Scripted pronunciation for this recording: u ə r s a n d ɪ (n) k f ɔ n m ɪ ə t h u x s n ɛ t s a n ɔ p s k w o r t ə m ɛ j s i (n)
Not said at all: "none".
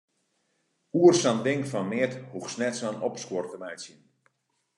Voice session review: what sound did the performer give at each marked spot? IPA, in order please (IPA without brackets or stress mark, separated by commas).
ŋ, n